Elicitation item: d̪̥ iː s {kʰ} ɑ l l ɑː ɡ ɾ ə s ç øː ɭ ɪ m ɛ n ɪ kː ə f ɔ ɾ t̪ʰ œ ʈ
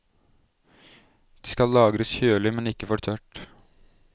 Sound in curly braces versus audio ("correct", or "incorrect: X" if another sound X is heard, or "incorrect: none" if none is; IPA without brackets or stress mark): incorrect: k